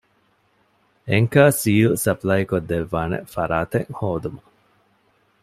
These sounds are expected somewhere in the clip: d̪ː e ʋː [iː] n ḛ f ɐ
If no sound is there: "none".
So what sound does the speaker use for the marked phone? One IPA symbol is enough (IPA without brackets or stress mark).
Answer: aː